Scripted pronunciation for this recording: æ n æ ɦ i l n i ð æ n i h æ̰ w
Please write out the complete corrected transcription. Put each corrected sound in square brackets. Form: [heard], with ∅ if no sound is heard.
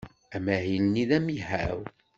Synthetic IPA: æ [m] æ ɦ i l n i ð æ [m] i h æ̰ w

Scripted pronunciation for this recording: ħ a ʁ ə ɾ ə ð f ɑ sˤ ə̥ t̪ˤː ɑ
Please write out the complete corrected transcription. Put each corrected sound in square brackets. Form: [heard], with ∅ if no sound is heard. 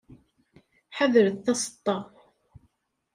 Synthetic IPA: ħ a [ð] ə ɾ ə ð [θ] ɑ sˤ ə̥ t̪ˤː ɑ

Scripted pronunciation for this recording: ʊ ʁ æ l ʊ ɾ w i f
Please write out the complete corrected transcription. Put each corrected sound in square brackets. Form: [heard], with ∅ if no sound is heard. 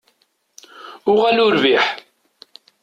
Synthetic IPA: ʊ ʁ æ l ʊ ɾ [v] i [ħ]

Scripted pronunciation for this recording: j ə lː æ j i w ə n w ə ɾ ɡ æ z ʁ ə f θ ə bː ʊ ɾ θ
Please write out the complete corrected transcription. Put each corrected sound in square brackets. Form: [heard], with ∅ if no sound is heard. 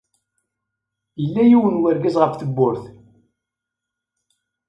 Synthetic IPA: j ə lː æ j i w ə n w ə ɾ ɡ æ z ʁ ə f θ ə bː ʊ ɾ θ

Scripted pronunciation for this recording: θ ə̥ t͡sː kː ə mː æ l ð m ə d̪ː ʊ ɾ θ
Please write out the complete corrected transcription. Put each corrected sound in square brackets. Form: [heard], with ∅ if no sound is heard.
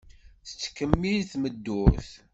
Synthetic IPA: θ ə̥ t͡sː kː ə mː [i] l [θ] m ə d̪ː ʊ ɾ θ

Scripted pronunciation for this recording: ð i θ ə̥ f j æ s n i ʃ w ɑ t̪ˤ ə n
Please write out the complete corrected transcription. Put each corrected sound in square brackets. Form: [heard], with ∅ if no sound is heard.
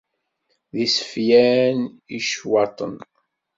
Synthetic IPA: ð i [s] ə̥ f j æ [∅] n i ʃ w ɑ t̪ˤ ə n

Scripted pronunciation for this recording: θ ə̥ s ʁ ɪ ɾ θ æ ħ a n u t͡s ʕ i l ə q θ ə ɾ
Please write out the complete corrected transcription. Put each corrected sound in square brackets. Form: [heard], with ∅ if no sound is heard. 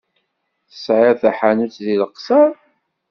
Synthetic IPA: θ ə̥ s [ʕ] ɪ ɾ θ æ ħ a n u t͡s [ð] i l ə q [s] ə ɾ

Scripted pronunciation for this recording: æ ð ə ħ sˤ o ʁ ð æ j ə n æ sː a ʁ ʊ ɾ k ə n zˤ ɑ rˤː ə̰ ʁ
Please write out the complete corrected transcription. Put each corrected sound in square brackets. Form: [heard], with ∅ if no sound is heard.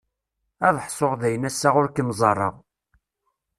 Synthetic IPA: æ ð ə ħ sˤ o ʁ ð æ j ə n æ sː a ʁ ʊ ɾ k ə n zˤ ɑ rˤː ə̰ ʁ

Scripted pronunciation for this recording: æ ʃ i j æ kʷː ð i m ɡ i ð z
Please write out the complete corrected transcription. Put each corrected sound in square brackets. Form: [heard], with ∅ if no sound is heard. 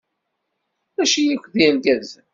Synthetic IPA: æ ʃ i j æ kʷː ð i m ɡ [æ] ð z

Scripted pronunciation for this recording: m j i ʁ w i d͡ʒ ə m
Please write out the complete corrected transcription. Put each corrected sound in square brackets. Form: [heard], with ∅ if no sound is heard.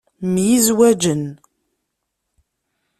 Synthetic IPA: m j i [z] w [æ] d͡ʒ ə [n]

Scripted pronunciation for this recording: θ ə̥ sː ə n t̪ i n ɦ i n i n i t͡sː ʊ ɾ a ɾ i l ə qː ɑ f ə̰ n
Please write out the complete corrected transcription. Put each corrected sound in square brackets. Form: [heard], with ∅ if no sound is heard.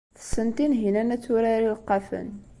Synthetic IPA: θ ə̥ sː ə n t̪ i n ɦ i n [æ] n [æ] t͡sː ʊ ɾ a ɾ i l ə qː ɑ f ə̰ n

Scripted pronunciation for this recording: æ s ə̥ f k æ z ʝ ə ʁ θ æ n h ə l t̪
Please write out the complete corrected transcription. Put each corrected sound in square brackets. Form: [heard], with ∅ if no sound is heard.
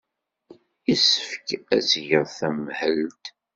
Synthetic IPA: [i] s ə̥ f k æ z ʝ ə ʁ θ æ [m] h ə l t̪

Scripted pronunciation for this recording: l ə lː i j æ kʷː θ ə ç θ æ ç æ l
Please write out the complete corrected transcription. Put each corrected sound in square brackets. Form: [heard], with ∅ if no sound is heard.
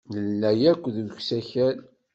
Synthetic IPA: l ə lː [æ] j æ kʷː [ð] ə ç [s] æ ç æ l

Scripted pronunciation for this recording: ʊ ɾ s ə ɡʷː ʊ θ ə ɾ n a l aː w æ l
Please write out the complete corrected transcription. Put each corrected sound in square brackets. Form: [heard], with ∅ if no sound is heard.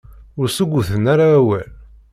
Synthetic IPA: ʊ ɾ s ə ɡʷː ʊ θ ə [∅] n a [ɾ] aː w æ l

